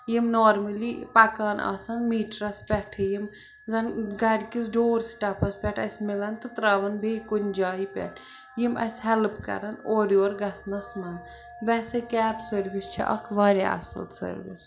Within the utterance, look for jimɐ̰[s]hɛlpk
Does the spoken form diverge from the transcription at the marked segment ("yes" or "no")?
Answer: no